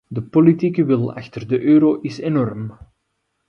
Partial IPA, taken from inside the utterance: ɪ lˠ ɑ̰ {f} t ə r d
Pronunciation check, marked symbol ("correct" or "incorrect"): incorrect